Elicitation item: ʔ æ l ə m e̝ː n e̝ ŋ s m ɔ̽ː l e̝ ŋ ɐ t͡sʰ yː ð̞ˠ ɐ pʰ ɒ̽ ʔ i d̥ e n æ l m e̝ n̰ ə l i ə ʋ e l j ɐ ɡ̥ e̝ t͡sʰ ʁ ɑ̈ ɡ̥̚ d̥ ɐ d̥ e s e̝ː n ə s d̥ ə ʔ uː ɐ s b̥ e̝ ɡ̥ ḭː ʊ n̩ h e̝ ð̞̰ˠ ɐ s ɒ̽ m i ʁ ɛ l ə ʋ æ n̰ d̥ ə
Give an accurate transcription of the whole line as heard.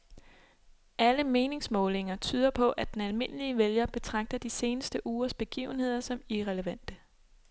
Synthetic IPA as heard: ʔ æ l ə m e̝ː n e̝ ŋ s m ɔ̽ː l e̝ ŋ ɐ t͡sʰ yː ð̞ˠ ɐ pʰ ɒ̽ ʔ æ d̥ e n æ l m e̝ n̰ ə l i ə ʋ e l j ɐ b̥ e̝ t͡sʰ ʁ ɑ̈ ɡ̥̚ d̥ ɐ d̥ i s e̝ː n ə s d̥ ə ʔ uː ɐ s b̥ e̝ ɡ̥ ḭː ʊ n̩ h e̝ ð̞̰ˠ ɐ s ɒ̽ m i ʁ ɛ l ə ʋ æ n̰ d̥ ə